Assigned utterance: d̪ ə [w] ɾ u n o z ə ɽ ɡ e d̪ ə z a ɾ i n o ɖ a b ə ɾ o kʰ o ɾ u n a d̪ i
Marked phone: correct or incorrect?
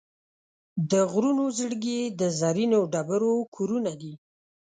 incorrect